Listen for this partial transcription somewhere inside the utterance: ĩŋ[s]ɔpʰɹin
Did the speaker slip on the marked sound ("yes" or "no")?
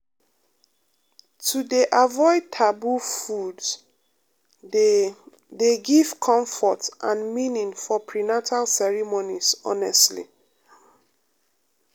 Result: yes